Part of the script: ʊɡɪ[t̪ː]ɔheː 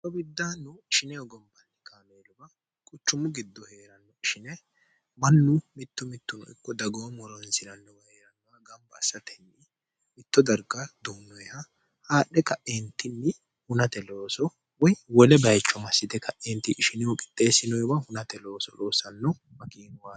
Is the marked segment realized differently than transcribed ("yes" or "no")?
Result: yes